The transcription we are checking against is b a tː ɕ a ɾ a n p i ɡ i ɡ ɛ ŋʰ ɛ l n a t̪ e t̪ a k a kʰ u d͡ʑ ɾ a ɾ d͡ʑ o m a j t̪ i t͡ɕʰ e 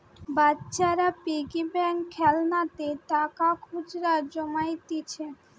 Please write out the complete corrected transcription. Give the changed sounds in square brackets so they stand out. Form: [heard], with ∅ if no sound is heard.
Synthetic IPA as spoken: b a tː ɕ a ɾ a [∅] p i ɡ i [b] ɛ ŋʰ ɛ l n a t̪ e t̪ a k a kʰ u d͡ʑ ɾ a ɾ d͡ʑ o m a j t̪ i t͡ɕʰ e